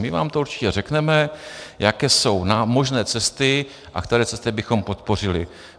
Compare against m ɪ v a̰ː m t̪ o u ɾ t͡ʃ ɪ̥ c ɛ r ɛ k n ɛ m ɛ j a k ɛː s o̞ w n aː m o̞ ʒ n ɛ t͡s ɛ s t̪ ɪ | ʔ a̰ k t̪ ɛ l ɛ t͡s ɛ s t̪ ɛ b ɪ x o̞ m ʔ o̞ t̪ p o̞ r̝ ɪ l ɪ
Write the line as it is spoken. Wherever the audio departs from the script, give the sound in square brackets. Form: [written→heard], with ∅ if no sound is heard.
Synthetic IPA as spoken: m ɪ v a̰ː m t̪ o u ɾ t͡ʃ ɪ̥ c ɛ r ɛ k n ɛ m ɛ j a k ɛː s o̞ w n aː m o̞ ʒ n [ɛ→ɛː] t͡s ɛ s t̪ ɪ | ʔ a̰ k t̪ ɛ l ɛ t͡s ɛ s t̪ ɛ b ɪ x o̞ m [ʔ→p] o̞ t̪ p o̞ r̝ ɪ l ɪ

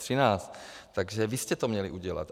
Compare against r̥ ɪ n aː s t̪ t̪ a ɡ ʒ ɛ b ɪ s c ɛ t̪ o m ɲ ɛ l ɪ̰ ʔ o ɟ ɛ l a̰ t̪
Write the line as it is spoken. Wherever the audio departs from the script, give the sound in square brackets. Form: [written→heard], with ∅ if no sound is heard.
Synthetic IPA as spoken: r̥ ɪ n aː s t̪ t̪ a ɡ ʒ ɛ [b→v] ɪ s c ɛ t̪ o m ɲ ɛ l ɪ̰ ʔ [o→u] ɟ ɛ l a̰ t̪

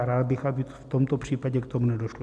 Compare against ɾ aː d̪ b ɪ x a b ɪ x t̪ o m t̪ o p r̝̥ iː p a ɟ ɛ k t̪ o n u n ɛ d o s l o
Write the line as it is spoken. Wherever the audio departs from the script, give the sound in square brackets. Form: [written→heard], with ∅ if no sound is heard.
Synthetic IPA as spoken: ɾ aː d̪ b ɪ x a b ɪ [x→f] t̪ o m t̪ o p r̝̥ iː p a ɟ ɛ k t̪ o [n→m] u n ɛ d o [s→ʃ] l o

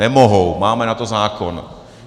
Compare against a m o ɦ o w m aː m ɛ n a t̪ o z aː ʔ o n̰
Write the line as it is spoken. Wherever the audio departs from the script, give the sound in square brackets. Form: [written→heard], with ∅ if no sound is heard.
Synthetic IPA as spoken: [a→ɛ] m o ɦ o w m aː m ɛ n a t̪ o z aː [ʔ→k] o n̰

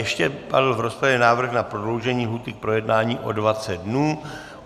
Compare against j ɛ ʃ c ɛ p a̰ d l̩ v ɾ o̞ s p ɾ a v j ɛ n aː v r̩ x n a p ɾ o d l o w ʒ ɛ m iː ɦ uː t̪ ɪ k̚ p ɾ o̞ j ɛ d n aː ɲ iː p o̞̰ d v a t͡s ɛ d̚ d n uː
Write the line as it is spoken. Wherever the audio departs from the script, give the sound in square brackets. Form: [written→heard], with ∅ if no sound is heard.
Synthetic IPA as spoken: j ɛ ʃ c ɛ p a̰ d l̩ v ɾ o̞ s p ɾ a v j ɛ n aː v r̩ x n a p ɾ o d l o w ʒ ɛ [m→ɲ] iː ɦ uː t̪ ɪ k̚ p ɾ o̞ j ɛ d n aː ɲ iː [p→ʔ] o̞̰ d v a t͡s ɛ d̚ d n uː

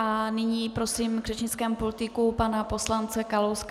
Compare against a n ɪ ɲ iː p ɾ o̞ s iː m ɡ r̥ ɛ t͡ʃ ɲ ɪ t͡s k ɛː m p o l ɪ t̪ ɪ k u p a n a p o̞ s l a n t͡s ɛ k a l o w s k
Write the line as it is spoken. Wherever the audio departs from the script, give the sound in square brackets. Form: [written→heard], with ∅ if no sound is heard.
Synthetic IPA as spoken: a n ɪ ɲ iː p ɾ o̞ s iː m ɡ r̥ ɛ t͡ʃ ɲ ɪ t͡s k ɛː m p o l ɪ t̪ ɪ k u p a n a p o̞ s l a n t͡s ɛ k a l o w s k

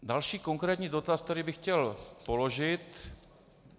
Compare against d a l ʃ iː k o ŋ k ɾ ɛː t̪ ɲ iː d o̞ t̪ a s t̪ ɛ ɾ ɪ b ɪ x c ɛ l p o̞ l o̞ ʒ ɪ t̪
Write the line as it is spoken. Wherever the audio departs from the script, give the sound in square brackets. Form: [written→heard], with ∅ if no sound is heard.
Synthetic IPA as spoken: d a l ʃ iː k o ŋ k ɾ ɛː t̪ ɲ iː d o̞ t̪ a s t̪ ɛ ɾ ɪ b ɪ x c ɛ l p o̞ l o̞ ʒ ɪ t̪

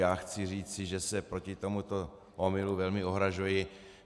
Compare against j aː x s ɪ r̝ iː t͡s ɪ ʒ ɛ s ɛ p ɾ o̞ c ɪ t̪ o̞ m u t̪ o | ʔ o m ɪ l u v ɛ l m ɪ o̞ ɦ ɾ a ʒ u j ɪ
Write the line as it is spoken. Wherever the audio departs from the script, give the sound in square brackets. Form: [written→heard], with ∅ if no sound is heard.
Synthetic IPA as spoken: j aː x [s→t͡s] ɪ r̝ iː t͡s ɪ ʒ ɛ s ɛ p ɾ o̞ c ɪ t̪ o̞ m u t̪ o | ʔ o m ɪ l u v ɛ l m ɪ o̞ ɦ ɾ a ʒ u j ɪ

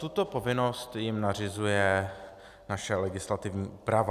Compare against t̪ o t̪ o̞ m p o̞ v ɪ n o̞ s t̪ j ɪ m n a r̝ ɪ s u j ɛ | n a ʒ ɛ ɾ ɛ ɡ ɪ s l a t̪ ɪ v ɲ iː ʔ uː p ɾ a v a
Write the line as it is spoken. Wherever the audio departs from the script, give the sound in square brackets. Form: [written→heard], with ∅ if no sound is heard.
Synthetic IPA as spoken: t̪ [o→u] t̪ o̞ [m→∅] p o̞ v ɪ n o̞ s t̪ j ɪ m n a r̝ ɪ [s→z] u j ɛ | n a [ʒ→ʃ] ɛ [ɾ→l] ɛ ɡ ɪ s l a t̪ ɪ v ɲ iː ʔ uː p ɾ a v a

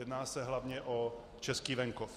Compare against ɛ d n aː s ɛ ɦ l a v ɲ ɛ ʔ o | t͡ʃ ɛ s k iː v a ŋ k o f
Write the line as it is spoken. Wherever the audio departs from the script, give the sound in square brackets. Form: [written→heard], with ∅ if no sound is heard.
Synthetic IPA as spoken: ɛ d n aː s ɛ ɦ l a v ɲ ɛ ʔ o | t͡ʃ ɛ s k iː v [a→ɛ] ŋ k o f

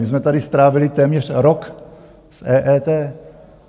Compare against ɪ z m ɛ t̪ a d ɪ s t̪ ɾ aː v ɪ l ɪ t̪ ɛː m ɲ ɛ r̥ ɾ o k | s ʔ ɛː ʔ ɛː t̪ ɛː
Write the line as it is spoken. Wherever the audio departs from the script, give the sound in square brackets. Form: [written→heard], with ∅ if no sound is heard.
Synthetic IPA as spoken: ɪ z m ɛ t̪ a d ɪ s t̪ ɾ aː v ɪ l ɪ t̪ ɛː m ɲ ɛ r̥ ɾ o k | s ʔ ɛː ʔ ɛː t̪ ɛː

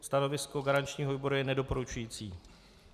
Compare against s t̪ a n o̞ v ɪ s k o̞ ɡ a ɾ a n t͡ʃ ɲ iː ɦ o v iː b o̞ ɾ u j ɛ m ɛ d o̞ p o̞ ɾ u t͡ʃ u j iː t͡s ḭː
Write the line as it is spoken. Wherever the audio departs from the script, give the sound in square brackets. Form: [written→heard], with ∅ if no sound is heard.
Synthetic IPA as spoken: s t̪ a n o̞ v ɪ s k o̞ ɡ a ɾ a n t͡ʃ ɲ iː ɦ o v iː b o̞ ɾ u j ɛ [m→n] ɛ d o̞ p o̞ ɾ u t͡ʃ u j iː t͡s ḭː

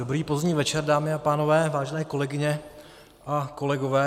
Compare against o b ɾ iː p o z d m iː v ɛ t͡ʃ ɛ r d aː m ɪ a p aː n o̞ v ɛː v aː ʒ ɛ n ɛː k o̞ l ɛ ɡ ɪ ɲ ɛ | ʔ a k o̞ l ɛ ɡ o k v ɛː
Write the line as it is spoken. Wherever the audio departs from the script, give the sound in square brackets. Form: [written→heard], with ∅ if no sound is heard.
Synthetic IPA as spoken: o b ɾ iː p o z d [m→ɲ] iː v ɛ t͡ʃ ɛ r d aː m ɪ a p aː n o̞ v ɛː v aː ʒ ɛ n ɛː k o̞ l ɛ ɡ ɪ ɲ ɛ | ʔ a k o̞ l ɛ ɡ o [k→∅] v ɛː

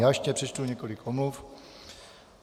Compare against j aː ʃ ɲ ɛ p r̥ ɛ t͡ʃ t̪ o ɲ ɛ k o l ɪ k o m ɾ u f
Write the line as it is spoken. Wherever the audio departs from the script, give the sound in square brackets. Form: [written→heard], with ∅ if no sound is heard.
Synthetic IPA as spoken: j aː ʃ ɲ ɛ p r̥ ɛ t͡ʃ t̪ [o→u] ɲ ɛ k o l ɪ k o m [ɾ→l] u f

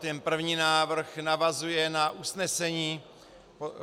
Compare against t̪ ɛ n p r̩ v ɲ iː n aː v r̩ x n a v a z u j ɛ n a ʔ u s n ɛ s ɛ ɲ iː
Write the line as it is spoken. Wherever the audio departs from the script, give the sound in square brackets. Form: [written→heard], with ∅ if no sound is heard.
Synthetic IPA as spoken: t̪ ɛ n p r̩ v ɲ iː n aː v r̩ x n a v a z u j ɛ n a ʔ u s n ɛ s ɛ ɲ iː

